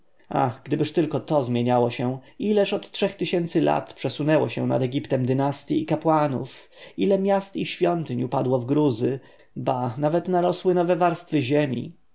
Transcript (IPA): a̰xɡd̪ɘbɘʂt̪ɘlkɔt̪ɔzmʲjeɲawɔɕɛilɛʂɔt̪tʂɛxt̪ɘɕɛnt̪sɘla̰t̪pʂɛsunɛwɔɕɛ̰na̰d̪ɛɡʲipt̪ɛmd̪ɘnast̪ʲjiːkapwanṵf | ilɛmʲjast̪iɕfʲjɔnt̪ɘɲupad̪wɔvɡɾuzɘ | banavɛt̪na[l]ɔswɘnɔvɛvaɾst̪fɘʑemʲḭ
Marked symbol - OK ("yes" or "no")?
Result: no